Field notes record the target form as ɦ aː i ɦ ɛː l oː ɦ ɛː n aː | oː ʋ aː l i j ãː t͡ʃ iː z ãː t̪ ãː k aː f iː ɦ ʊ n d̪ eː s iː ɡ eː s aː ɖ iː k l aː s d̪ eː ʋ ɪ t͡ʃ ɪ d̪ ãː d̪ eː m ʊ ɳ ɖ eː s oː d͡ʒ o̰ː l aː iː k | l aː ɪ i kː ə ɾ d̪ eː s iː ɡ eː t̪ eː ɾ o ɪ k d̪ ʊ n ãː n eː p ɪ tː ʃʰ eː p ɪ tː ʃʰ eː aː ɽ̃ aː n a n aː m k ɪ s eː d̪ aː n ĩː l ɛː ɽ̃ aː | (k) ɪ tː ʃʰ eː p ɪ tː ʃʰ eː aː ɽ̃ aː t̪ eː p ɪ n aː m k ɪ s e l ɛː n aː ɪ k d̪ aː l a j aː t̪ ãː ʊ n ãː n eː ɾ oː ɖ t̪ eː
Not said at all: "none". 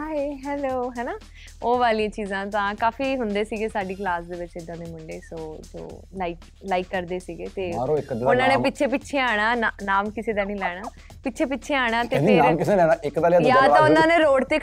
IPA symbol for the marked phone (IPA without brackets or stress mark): p